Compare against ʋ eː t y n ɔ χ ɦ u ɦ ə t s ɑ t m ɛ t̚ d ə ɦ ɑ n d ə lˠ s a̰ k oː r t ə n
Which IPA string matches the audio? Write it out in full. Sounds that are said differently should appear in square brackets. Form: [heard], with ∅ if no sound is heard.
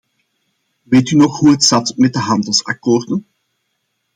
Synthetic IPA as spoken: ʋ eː t y n ɔ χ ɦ u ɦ ə t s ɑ t m ɛ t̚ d ə ɦ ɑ n d ə lˠ s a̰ k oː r [d] ə n